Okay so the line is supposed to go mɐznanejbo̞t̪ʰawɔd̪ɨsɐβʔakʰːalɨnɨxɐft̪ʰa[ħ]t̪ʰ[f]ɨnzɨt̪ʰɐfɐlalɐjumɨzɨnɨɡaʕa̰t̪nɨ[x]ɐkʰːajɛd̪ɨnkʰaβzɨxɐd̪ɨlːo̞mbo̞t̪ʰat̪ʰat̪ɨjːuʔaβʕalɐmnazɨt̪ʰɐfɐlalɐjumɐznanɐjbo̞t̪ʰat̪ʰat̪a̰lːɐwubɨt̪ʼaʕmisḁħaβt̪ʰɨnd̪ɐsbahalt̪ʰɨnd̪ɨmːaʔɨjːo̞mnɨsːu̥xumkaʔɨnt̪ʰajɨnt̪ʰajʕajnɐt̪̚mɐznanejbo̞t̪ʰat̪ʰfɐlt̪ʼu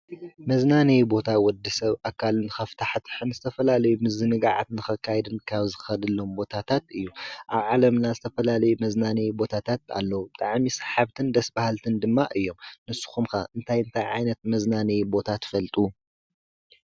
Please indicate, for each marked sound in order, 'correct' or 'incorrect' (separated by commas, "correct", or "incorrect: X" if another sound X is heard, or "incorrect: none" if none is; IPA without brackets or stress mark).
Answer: correct, incorrect: ħ, correct